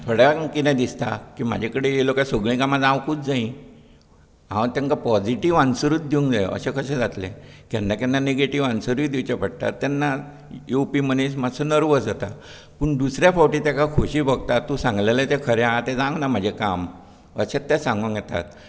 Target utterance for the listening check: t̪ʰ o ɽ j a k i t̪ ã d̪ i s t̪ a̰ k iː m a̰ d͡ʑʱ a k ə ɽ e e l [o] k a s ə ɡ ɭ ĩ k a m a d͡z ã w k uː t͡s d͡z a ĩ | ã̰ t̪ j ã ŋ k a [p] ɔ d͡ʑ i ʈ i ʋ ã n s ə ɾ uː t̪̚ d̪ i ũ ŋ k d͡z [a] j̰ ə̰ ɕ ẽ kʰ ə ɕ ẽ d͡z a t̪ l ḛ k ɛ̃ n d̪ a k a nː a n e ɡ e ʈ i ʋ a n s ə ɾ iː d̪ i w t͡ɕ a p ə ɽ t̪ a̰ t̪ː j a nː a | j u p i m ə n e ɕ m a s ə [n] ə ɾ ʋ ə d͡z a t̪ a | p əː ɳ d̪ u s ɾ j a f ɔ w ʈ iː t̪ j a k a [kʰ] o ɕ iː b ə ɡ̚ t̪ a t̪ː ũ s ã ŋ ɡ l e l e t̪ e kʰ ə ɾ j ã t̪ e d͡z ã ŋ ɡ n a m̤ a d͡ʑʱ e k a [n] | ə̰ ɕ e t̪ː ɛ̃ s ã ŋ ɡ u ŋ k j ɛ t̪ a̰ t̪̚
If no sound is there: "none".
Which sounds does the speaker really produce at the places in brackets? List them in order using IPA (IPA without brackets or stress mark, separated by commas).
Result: o, p, a, n, kʰ, m